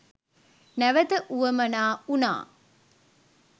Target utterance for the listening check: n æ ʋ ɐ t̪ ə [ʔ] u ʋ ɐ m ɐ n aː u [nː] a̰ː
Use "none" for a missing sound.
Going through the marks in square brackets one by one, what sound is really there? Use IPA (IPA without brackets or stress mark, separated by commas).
ʔ, n